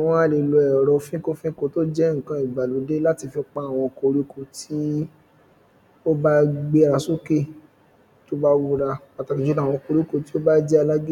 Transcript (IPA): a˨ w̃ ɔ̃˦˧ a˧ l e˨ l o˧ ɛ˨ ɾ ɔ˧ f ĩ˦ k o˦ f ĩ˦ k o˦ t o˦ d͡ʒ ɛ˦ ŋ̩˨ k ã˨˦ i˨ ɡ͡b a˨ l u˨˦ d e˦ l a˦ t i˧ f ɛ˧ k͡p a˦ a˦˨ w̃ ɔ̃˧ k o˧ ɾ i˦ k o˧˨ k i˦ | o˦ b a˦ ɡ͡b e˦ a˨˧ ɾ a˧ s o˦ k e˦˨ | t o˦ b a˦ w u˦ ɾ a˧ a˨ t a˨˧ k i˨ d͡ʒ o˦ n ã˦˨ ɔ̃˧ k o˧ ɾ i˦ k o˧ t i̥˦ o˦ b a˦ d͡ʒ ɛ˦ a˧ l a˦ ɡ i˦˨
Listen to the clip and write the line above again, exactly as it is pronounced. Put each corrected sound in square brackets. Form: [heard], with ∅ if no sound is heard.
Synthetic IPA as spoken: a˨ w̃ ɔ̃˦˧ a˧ l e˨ l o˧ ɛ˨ ɾ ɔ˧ f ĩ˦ k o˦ f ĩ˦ k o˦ t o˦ d͡ʒ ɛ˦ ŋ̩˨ k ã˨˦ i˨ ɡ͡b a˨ l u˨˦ d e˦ l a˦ t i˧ f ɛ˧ k͡p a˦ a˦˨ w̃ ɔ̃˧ k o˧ ɾ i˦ k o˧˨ [t] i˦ | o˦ b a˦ ɡ͡b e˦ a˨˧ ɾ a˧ s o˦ k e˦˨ | t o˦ b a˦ w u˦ ɾ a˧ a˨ t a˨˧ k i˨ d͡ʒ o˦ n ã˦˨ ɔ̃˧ k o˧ ɾ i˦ k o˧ t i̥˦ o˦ b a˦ d͡ʒ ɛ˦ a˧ l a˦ ɡ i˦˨

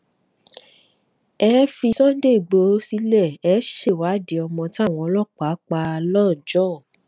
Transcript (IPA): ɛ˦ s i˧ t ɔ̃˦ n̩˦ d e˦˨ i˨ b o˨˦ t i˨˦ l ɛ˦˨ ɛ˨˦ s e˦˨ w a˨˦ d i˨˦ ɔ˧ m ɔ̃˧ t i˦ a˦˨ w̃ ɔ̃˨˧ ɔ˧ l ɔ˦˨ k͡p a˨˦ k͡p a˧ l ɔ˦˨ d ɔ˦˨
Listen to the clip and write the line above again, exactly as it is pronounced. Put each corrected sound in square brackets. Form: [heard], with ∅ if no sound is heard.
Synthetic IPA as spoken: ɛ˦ [f] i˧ [s] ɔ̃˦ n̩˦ d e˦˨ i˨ [ɡ͡b] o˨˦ [s] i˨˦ l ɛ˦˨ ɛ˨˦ [ʃ] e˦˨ w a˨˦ d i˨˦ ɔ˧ m ɔ̃˧ t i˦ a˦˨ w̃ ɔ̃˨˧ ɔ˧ l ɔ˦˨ k͡p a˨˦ k͡p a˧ l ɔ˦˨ [d͡ʒ] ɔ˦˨

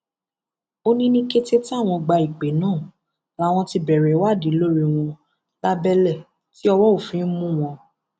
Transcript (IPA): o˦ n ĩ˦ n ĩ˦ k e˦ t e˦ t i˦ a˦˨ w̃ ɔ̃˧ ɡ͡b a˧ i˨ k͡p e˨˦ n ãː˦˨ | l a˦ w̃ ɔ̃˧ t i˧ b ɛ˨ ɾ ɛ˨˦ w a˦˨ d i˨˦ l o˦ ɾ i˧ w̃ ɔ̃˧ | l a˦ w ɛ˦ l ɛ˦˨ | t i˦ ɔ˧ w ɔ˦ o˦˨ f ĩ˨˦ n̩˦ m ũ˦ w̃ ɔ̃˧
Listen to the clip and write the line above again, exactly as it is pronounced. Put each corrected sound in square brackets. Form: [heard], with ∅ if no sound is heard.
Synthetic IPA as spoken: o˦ n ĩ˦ n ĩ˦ k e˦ t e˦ t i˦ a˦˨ w̃ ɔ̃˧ ɡ͡b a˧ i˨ k͡p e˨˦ n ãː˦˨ | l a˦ w̃ ɔ̃˧ t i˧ b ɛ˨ ɾ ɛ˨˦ w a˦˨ d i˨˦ l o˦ ɾ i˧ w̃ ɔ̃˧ | l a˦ [b] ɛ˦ l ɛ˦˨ | t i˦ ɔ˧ w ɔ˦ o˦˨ f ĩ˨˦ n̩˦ m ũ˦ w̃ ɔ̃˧

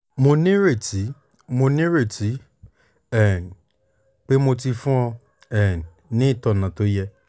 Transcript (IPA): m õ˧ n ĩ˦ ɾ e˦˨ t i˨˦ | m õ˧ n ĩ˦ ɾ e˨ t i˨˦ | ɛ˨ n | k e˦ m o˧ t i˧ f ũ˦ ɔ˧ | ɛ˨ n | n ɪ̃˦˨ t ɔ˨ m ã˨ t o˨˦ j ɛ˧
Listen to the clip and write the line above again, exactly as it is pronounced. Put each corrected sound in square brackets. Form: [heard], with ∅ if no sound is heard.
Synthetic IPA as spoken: m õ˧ n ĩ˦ ɾ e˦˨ t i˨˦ | m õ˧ n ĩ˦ ɾ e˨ t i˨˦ | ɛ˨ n | [k͡p] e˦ m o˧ t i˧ f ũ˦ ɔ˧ | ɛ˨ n | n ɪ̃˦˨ t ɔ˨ [n] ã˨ t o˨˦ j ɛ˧

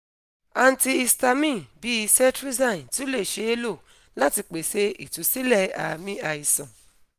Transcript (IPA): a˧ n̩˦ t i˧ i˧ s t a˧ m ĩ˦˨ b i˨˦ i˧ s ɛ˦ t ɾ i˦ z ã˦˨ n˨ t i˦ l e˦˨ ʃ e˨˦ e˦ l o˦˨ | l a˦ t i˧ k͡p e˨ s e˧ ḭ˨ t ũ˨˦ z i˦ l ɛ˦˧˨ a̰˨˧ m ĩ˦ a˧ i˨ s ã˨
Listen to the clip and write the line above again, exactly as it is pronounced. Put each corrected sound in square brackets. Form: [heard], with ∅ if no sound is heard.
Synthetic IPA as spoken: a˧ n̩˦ t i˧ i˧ s t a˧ m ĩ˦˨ b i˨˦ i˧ s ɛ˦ t ɾ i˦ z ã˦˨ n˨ t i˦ l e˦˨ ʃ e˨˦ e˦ l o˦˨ | l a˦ t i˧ k͡p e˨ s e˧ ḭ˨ t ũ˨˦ [s] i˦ l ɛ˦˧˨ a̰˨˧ m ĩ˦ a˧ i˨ s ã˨

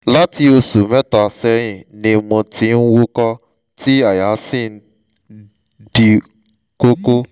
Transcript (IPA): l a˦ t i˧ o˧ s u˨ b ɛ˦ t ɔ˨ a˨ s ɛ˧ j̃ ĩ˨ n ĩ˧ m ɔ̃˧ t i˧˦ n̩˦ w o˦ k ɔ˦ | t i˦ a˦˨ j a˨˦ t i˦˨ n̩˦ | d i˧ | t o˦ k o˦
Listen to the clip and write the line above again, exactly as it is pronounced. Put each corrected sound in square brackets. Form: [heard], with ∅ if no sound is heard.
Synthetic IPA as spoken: l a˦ t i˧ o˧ s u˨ [m] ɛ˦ t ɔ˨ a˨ s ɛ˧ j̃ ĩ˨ n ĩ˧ m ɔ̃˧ t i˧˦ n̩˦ w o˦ k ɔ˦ | t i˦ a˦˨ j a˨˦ [s] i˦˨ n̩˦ | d i˧ | [k] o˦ k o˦

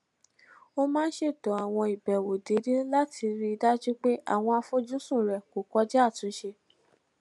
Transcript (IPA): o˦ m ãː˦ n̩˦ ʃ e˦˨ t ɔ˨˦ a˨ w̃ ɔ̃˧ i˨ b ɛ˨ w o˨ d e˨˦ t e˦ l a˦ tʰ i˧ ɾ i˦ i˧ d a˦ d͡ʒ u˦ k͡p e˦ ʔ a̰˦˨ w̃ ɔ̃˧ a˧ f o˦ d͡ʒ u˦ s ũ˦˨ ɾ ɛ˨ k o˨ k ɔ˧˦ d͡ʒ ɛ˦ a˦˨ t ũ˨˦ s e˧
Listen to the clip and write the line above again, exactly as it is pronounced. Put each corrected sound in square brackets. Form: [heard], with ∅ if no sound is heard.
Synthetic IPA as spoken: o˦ m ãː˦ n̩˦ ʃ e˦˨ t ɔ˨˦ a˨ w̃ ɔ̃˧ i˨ b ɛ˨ w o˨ d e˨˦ [d] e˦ l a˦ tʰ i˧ ɾ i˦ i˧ d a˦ d͡ʒ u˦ k͡p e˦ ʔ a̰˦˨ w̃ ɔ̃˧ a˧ f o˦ d͡ʒ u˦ s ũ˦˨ ɾ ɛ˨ k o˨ k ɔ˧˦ d͡ʒ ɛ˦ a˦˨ t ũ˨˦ [ʃ] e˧

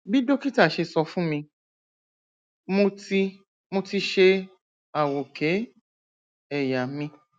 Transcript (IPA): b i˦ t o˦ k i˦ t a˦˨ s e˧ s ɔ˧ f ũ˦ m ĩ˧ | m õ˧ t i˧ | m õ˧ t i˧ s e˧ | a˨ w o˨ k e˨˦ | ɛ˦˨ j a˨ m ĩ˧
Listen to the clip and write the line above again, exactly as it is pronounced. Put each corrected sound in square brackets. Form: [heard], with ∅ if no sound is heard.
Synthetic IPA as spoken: b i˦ [d] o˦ k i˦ t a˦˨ [ʃ] e˧ s ɔ˧ f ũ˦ m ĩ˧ | m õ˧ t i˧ | m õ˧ t i˧ [ʃ] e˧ | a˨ w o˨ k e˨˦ | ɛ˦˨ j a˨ m ĩ˧

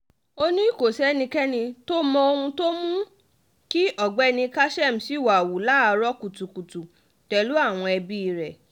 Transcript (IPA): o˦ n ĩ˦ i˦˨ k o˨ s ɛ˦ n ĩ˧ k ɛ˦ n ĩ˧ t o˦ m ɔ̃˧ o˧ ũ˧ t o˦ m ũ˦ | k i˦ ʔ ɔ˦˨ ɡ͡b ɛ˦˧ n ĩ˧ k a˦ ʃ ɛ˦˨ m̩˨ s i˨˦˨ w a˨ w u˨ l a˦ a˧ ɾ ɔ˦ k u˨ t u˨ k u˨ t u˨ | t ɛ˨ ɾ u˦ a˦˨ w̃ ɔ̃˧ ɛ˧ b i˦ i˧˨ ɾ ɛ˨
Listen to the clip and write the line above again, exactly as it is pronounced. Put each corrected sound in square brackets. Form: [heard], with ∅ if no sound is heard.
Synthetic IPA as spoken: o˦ n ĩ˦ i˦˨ k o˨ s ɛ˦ n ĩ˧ k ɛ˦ n ĩ˧ t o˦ m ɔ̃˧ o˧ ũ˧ t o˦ m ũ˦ | k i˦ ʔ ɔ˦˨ ɡ͡b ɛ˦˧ n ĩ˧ k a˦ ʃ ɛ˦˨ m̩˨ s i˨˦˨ w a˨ w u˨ l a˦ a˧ ɾ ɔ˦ k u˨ t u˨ k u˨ t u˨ | t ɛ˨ [l] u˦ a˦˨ w̃ ɔ̃˧ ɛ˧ b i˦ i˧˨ ɾ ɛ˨

